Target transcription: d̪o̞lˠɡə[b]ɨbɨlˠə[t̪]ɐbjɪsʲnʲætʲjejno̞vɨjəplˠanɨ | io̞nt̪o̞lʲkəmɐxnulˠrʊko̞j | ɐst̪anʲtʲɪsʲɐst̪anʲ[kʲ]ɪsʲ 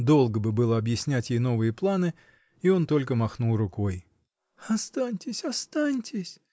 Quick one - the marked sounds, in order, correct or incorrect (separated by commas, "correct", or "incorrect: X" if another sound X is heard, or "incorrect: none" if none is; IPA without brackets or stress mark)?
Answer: correct, incorrect: none, incorrect: tʲ